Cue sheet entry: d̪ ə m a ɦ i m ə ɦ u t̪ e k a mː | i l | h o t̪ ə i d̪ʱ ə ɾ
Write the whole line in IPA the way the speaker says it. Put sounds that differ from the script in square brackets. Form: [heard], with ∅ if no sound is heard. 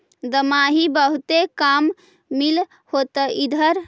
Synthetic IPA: d̪ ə m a ɦ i [b] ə ɦ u t̪ e k a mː | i l | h o t̪ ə i d̪ʱ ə ɾ